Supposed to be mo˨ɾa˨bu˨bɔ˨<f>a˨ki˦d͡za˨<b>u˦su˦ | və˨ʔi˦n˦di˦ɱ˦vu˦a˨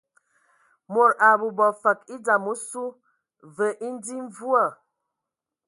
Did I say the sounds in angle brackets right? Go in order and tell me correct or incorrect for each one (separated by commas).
correct, incorrect